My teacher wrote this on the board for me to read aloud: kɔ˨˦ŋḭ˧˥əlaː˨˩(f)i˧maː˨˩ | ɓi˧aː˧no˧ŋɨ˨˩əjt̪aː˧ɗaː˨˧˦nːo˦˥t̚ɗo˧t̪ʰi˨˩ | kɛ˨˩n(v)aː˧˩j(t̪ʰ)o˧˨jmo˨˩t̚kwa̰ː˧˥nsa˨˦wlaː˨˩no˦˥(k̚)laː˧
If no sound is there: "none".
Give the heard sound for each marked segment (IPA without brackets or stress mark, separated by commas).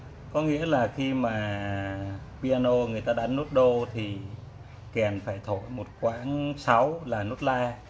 x, f, t̪ʰ, t̚